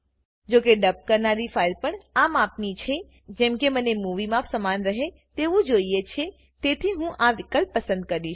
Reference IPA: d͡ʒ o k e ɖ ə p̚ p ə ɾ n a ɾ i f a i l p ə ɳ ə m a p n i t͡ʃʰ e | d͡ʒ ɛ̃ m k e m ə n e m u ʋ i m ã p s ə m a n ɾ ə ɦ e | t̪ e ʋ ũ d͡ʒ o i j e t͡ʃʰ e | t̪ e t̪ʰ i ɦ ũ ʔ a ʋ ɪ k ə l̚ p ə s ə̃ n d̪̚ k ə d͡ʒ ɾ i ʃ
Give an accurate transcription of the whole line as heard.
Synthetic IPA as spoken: d͡ʒ o k e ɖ ə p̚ k ə ɾ n a ɾ i f a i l p ə ɳ a m a p n i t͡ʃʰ e | d͡ʒ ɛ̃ m k e m ə n e m u ʋ i m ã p s ə m a n ɾ ə ɦ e | t̪ e ʋ ũ d͡ʒ o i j e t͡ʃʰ e | t̪ e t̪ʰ i ɦ ũ ʔ a ʋ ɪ k ə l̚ p ə s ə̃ n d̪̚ k ə ɾ i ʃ